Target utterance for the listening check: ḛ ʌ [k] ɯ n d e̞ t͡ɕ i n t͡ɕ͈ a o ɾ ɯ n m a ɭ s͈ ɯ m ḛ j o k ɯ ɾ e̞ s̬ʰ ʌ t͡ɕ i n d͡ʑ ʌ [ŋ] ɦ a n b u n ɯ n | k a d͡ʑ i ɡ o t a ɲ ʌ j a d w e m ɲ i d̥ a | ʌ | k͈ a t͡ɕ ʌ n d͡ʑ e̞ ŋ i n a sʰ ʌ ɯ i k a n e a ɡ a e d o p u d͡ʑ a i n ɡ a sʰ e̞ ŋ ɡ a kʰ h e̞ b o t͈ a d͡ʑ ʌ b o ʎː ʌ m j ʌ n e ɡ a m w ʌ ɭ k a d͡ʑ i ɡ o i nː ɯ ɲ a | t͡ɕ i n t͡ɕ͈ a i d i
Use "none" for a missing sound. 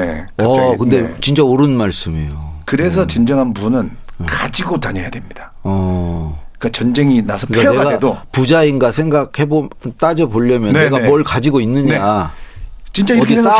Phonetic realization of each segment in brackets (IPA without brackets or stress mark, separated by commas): k, ŋ